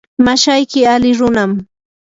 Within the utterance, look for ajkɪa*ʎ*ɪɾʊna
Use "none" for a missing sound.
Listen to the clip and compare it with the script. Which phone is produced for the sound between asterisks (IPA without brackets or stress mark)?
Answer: l